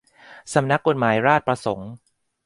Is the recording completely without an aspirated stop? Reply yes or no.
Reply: yes